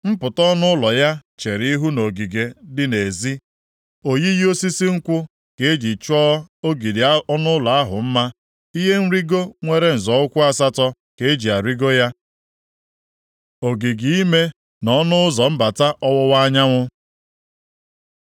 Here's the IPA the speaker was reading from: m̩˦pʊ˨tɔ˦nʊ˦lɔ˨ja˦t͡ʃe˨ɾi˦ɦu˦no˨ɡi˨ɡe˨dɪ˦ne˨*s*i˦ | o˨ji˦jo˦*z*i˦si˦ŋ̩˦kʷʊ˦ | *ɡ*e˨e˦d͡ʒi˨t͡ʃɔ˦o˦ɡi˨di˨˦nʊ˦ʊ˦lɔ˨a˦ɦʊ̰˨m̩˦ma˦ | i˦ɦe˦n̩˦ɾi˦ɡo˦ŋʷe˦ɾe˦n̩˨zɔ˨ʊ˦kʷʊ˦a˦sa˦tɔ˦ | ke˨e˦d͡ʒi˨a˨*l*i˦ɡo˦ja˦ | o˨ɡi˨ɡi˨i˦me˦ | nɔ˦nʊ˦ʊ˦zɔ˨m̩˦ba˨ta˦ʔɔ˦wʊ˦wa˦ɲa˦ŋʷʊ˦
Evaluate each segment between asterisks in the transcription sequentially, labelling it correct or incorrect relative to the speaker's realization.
incorrect: z, incorrect: s, incorrect: k, incorrect: ɾ

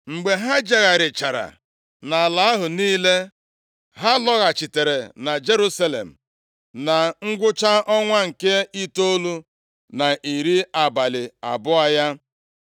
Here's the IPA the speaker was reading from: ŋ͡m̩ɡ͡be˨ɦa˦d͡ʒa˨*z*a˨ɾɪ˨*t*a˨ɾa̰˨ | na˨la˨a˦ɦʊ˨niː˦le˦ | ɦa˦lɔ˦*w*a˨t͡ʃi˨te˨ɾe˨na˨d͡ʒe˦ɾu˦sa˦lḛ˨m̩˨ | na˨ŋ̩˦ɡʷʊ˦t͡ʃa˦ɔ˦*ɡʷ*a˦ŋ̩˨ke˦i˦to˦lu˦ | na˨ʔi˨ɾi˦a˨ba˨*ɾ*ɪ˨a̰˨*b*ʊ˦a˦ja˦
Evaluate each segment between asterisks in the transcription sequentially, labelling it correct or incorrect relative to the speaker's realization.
incorrect: ɣ, incorrect: t͡ʃ, incorrect: ɣ, incorrect: ŋʷ, incorrect: l, correct

